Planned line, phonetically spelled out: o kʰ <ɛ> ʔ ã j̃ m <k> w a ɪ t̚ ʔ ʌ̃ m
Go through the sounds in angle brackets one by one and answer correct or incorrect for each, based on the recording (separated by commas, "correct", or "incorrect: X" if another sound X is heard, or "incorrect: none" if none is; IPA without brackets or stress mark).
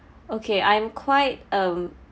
incorrect: e, incorrect: kʰ